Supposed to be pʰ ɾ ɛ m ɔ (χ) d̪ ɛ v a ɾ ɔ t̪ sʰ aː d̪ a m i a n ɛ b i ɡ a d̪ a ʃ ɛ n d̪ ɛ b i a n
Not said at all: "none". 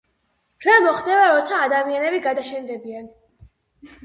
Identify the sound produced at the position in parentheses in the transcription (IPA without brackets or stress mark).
χ